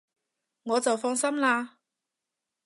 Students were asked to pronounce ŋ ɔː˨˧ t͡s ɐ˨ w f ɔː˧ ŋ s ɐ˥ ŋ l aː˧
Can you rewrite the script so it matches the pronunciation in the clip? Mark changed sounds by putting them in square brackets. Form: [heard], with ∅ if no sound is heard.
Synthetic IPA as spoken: ŋ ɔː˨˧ t͡s ɐ˨ w f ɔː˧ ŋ s ɐ˥ [m] l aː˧